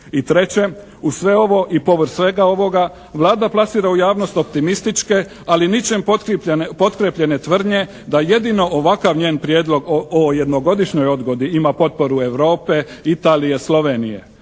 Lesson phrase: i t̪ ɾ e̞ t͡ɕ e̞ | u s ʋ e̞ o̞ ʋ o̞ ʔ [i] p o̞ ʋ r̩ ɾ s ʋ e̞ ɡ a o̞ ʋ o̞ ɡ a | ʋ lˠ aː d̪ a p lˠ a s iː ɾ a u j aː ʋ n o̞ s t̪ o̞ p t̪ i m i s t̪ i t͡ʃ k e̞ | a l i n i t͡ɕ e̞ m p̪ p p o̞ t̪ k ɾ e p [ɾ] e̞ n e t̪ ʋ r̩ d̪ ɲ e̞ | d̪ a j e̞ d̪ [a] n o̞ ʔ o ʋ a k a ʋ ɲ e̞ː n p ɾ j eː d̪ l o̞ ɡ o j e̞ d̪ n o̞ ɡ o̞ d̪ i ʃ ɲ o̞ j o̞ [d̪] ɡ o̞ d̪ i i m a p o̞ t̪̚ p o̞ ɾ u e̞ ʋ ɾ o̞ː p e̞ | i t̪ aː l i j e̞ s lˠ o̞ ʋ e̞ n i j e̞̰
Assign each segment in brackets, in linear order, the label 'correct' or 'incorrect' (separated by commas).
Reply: correct, incorrect, incorrect, correct